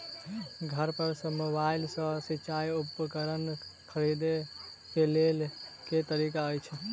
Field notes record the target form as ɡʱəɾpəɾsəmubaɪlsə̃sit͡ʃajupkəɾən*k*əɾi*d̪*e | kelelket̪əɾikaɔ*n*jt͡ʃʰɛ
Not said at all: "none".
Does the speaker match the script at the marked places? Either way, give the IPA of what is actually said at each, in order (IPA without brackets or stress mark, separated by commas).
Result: kʰ, d̪, none